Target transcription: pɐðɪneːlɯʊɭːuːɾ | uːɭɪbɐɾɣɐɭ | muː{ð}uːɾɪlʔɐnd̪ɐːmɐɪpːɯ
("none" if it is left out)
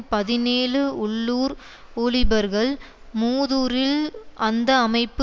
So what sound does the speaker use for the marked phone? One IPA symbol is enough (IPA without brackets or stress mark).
ð